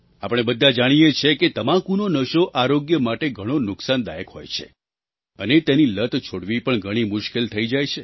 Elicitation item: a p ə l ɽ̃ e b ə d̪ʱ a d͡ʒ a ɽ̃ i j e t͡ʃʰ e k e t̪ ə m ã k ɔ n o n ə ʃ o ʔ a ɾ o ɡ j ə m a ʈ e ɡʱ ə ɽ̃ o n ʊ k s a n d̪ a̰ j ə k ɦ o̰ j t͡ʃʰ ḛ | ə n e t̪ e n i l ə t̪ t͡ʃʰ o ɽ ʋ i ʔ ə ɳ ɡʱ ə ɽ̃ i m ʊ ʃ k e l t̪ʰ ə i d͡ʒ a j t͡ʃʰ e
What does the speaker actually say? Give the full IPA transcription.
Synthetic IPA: a p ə ɽ̃ e b ə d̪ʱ a d͡ʒ a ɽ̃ i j e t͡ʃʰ e k e t̪ ə m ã k u n o n ə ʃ o ʔ a ɾ o ɡ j ə m a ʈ e ɡʱ ə ɽ̃ o n ʊ k s a n d̪ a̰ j ə k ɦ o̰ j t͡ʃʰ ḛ | ə n e t̪ e n i l ə t̪ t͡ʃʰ o ɽ ʋ i p ə ɳ ɡʱ ə ɽ̃ i m ʊ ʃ k e l t̪ʰ ə i d͡ʒ a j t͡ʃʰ e